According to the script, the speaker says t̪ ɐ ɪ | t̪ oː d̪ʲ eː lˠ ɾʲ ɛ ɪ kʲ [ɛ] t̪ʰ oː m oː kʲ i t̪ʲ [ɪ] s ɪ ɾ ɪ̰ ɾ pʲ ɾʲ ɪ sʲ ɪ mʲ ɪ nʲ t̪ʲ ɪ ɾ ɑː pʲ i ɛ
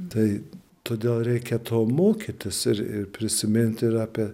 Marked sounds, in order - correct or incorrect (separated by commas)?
correct, correct